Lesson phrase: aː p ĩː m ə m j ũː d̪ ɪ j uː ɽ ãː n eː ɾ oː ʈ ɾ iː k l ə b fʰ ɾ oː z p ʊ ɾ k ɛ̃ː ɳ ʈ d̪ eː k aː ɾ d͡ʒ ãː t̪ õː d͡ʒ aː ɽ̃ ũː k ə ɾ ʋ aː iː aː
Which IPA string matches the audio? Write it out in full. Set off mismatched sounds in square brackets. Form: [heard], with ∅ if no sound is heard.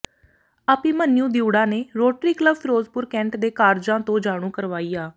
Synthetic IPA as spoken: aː p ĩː m ə [n] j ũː d̪ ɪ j uː ɽ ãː n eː ɾ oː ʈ ɾ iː k l ə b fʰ ɾ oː z p ʊ ɾ k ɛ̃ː ɳ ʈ d̪ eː k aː ɾ d͡ʒ ãː t̪ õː d͡ʒ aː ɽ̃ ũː k ə ɾ ʋ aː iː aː

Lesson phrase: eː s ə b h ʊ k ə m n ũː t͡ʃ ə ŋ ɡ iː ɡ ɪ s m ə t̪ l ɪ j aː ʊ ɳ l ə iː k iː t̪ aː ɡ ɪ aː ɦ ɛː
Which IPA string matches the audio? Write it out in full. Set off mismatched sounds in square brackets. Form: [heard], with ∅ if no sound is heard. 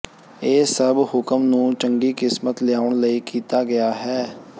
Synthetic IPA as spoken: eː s ə b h ʊ k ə m n ũː t͡ʃ ə ŋ ɡ iː [k] ɪ s m ə t̪ l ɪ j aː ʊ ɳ l ə iː k iː t̪ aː ɡ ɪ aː ɦ ɛː

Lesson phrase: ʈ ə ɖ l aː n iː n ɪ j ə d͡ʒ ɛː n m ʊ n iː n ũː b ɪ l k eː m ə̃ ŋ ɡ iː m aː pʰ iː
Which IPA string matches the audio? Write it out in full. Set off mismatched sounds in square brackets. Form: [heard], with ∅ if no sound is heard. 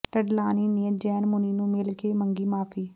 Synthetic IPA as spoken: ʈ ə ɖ l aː n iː n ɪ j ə d͡ʒ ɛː n m ʊ n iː n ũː [m] ɪ l k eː m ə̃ ŋ ɡ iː m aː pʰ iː

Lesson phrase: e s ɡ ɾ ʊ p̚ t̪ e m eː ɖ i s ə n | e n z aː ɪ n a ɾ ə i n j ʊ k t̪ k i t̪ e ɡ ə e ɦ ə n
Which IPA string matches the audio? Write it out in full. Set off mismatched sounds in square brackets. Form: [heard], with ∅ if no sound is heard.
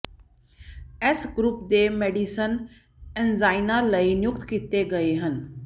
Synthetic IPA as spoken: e s ɡ ɾ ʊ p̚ [d̪] e m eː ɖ i s ə n | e n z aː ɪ n a [l] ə i n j ʊ k t̪ k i t̪ e ɡ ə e ɦ ə n

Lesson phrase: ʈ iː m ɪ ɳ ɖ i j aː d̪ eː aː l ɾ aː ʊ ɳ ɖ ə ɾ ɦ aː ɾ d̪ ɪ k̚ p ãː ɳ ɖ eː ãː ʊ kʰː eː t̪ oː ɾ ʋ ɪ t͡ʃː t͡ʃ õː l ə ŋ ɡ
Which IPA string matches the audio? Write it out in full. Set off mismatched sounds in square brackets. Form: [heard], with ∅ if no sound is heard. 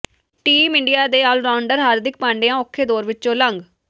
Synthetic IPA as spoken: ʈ iː m ɪ ɳ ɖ i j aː d̪ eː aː l ɾ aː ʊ ɳ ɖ ə ɾ ɦ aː ɾ d̪ ɪ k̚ p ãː ɳ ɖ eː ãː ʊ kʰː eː [d̪] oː ɾ ʋ ɪ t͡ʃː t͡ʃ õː l ə ŋ ɡ

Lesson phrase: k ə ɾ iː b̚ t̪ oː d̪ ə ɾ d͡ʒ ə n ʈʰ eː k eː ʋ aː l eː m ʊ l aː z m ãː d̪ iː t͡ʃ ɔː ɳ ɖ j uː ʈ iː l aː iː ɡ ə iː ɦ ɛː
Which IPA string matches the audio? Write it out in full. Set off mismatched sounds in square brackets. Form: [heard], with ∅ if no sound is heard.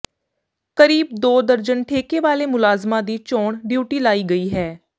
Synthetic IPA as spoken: k ə ɾ iː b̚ [d̪] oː d̪ ə ɾ d͡ʒ ə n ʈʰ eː k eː ʋ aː l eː m ʊ l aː z m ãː d̪ iː t͡ʃ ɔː ɳ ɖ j uː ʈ iː l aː iː ɡ ə iː ɦ ɛː

